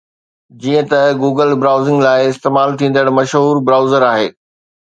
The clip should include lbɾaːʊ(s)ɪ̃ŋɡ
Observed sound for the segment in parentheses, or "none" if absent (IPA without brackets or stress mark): z